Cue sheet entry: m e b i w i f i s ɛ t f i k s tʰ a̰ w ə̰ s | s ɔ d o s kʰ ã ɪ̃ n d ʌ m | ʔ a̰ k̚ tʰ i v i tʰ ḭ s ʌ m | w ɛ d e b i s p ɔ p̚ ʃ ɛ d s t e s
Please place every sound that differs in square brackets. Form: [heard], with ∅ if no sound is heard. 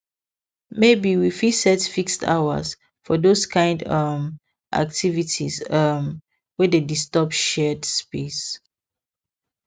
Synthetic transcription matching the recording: m e b i w i f i s ɛ t f i k s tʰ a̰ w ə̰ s | [f] ɔ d o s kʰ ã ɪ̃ n d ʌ m | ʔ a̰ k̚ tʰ i v i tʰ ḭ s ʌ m | w ɛ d e [d] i s [t] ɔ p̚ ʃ ɛ d s [p] e s